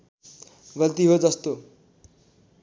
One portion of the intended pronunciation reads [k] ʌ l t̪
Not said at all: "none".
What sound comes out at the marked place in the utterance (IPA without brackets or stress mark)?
ɡ